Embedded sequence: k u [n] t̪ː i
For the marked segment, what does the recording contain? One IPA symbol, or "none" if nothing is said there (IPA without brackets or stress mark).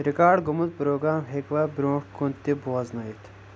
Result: n